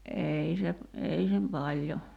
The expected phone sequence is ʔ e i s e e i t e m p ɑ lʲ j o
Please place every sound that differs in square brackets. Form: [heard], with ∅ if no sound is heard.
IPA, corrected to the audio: ʔ e i s e e i [s] e m p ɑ lʲ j o